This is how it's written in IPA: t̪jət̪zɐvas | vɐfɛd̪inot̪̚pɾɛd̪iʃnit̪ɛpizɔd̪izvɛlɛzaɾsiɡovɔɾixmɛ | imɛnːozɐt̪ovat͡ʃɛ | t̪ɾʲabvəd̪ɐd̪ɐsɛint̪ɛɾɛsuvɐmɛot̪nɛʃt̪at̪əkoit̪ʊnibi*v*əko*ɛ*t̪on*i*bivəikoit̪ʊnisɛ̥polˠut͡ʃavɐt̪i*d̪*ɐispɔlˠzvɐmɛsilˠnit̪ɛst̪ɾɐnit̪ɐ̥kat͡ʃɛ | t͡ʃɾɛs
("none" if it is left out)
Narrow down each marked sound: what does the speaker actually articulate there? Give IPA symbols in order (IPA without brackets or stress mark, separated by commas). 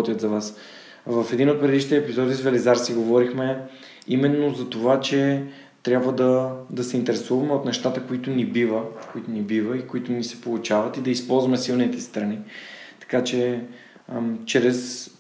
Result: v, i, i, d̪